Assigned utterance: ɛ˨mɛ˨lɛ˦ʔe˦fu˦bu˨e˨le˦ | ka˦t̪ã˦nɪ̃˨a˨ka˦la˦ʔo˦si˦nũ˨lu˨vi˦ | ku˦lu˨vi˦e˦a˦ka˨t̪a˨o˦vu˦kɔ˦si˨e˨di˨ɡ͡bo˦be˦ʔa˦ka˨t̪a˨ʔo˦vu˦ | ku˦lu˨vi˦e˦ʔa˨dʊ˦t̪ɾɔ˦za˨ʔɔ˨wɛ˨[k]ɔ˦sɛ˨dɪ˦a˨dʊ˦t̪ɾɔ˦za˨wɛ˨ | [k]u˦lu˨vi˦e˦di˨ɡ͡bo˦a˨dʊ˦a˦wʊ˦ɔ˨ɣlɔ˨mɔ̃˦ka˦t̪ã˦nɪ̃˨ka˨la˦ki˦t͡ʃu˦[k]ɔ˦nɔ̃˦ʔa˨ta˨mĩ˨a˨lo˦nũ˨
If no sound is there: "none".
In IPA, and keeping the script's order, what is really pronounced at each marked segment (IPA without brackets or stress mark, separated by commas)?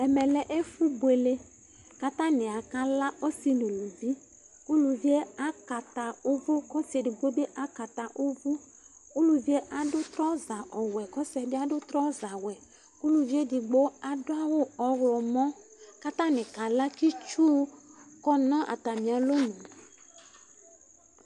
k, k, k